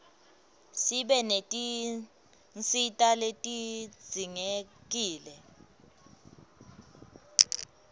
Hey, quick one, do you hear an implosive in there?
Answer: yes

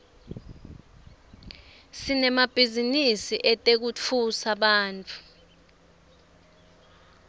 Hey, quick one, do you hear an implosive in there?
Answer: yes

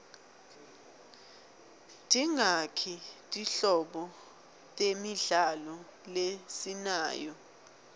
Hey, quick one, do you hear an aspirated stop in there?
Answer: yes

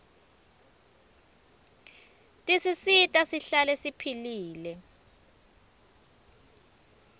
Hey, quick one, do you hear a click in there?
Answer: no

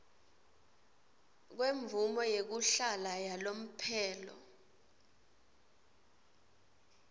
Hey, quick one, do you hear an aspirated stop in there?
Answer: yes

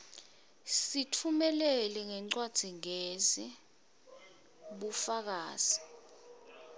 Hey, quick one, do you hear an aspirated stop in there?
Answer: yes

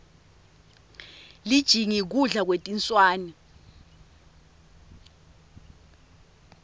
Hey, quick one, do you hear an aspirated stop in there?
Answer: no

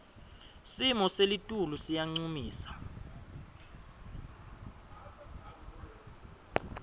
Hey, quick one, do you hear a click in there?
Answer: yes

